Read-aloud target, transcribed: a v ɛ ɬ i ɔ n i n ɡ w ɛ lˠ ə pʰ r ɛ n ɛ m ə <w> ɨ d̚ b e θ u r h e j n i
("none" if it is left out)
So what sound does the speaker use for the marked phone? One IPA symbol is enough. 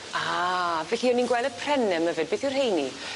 v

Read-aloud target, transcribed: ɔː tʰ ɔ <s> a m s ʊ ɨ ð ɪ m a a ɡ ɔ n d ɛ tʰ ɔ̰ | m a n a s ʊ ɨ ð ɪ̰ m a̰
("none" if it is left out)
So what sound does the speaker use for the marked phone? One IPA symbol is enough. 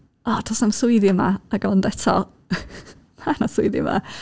s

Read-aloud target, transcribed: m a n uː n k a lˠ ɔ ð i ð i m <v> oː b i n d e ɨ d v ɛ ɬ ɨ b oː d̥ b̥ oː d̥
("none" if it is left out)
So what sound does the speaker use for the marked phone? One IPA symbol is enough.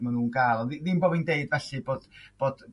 b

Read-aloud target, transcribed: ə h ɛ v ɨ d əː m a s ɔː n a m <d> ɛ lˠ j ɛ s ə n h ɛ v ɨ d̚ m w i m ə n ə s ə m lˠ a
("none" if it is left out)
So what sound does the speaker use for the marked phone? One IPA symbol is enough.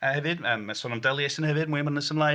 d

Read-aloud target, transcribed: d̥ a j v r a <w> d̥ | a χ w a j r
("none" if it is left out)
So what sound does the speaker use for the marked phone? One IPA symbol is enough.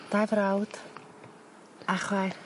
w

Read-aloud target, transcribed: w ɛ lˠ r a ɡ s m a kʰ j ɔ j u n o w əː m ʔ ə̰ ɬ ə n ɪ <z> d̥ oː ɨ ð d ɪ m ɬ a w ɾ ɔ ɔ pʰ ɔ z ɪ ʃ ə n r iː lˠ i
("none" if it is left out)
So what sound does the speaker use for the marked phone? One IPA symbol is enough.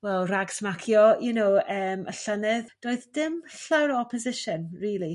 ð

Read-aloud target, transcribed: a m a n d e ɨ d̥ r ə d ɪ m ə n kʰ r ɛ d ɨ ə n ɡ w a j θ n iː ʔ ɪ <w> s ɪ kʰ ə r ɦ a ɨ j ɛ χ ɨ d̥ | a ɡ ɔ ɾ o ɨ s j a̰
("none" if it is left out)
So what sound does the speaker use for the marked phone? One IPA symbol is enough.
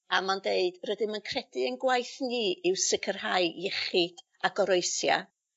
w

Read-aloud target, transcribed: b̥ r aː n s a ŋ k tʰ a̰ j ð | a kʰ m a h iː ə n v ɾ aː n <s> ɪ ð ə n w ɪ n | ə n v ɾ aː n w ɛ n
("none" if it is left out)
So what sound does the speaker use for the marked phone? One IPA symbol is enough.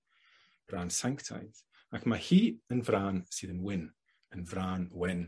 s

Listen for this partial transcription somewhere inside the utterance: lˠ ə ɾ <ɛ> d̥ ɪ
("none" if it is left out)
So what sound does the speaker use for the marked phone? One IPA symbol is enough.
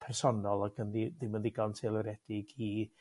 ɛ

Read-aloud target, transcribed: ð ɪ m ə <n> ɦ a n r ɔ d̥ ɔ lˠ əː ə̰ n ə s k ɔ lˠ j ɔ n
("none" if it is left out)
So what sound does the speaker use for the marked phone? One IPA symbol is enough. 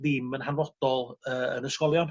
n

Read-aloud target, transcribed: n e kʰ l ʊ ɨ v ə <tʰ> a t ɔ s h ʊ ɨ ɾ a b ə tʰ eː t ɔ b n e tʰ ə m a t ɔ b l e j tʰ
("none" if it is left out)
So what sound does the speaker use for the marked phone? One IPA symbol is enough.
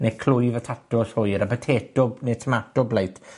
tʰ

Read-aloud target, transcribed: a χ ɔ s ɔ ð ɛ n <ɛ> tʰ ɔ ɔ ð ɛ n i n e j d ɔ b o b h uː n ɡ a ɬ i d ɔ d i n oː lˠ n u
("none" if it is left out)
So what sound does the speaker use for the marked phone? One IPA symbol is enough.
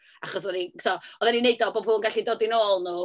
i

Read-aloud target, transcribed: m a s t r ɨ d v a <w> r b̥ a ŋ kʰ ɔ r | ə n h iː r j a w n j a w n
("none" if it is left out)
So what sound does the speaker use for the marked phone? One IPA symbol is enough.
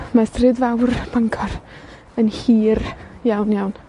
w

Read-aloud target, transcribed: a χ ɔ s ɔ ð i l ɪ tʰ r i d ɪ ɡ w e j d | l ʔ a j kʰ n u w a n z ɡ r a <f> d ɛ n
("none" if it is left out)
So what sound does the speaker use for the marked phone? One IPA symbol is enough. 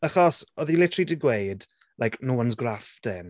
f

